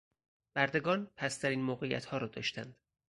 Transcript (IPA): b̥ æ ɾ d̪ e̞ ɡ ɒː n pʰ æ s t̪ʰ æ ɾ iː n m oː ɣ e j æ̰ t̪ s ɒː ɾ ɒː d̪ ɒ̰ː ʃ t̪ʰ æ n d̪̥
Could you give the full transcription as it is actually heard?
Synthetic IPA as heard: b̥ æ ɾ d̪ e̞ ɡ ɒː n pʰ æ s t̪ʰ æ ɾ iː n m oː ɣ e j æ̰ t̪ h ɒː ɾ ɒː d̪ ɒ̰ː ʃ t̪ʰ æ n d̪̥